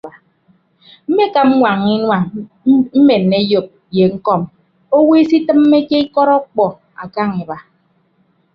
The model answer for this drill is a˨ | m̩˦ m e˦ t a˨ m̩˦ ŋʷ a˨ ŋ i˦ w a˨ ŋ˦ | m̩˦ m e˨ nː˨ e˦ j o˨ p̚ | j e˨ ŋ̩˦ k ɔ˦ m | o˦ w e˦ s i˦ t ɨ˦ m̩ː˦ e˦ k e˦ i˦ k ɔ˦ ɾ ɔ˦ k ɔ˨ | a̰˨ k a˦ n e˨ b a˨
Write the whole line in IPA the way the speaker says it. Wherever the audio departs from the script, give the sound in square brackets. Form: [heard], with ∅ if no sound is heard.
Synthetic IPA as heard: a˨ | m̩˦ m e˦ [k] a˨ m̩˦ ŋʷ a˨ ŋ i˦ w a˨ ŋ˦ | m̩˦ m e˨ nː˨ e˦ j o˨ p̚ | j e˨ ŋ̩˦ k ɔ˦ m | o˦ w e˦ s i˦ t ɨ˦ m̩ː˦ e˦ k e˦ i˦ k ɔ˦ ɾ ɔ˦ [k͡p] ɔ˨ | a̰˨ k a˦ [ŋ] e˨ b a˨